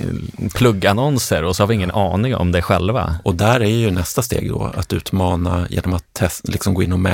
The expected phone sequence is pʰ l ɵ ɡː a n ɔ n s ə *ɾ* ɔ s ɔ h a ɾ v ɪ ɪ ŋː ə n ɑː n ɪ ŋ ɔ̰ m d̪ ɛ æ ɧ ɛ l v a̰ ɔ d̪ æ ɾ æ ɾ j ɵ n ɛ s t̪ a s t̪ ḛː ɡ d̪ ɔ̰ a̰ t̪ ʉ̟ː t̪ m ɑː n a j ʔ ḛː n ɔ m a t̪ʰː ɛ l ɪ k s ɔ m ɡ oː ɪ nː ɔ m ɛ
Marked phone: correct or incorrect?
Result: correct